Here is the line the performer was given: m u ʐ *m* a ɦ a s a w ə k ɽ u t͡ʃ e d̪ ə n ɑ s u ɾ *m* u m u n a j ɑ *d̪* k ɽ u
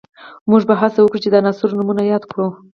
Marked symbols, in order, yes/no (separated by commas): no, no, yes